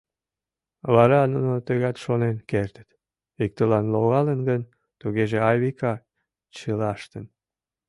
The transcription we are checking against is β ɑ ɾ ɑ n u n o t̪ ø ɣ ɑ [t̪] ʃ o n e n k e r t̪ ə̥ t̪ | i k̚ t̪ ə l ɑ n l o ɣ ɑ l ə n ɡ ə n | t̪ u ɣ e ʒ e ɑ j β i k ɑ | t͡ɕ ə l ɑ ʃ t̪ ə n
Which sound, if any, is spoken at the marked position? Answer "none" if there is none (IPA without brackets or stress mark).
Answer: t̪